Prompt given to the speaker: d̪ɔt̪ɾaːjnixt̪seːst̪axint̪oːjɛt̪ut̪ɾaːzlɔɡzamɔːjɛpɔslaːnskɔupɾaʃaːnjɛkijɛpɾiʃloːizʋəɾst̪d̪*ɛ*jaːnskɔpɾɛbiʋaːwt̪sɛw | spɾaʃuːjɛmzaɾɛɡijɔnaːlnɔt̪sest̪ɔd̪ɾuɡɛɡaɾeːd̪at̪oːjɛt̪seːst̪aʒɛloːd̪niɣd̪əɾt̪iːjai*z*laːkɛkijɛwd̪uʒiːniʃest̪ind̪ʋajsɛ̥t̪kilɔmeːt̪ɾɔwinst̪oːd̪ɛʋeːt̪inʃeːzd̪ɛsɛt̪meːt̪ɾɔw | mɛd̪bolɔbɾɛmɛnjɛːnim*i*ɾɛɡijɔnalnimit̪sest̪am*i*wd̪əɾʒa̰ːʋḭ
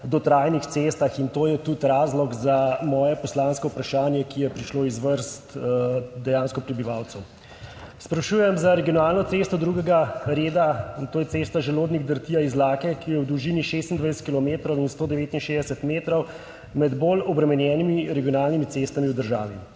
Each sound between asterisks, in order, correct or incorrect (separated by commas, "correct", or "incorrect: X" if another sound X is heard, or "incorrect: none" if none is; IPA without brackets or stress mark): correct, correct, correct, correct